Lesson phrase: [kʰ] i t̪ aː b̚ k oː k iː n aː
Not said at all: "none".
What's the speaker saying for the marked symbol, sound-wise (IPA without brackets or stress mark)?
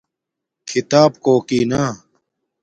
kʰ